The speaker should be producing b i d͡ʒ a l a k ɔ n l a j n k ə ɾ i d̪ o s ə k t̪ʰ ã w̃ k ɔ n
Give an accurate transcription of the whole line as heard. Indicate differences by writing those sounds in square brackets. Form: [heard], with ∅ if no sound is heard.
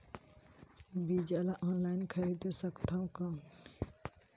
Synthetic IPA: b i d͡ʒ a l a [ʔ] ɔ n l a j n [kʰ] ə ɾ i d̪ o s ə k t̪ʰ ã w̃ k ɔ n